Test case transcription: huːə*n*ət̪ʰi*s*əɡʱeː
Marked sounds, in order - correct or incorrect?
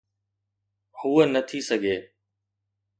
correct, correct

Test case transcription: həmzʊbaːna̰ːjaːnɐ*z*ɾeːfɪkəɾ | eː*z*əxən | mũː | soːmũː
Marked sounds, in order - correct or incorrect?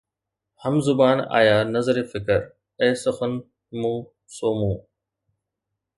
correct, incorrect: s

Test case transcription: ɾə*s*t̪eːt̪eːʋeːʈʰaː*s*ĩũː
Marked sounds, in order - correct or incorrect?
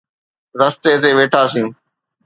correct, correct

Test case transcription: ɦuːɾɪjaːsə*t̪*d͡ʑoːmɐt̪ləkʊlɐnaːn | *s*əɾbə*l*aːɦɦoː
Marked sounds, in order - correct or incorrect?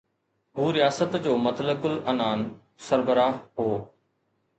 correct, correct, incorrect: ɾ

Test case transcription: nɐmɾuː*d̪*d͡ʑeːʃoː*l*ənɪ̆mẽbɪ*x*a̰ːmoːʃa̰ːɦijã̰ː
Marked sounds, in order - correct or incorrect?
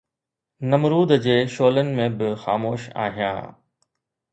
correct, correct, correct

